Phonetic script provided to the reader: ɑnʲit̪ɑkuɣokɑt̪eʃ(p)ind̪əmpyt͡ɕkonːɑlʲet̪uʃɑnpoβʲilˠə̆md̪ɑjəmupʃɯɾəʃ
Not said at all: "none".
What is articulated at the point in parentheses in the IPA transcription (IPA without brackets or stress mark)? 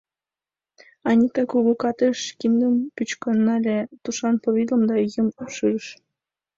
k